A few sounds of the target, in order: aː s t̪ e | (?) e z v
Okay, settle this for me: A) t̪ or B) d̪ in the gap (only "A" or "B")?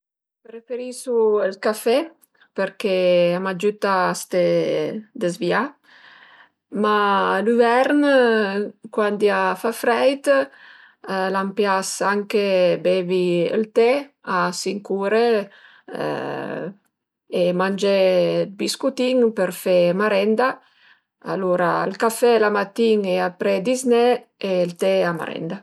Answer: B